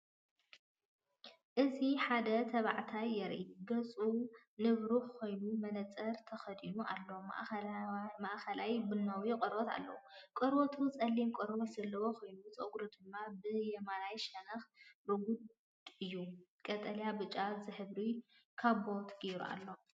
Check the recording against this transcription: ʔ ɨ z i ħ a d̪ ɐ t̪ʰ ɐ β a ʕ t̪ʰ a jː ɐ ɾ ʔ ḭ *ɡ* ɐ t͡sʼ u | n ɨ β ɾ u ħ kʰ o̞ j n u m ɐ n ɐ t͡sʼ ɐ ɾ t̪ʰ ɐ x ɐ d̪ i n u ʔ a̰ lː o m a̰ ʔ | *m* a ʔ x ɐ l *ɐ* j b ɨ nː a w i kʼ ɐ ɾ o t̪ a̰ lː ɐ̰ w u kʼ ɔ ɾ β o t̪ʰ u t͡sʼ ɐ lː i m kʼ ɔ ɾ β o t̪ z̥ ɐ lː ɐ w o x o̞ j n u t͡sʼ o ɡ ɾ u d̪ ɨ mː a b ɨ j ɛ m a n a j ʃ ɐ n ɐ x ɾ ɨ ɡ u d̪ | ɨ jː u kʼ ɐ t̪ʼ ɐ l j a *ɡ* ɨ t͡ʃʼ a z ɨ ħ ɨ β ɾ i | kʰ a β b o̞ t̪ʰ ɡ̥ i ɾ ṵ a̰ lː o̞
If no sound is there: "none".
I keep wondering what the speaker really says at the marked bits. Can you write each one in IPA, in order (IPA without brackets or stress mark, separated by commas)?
ɡ, m, a, b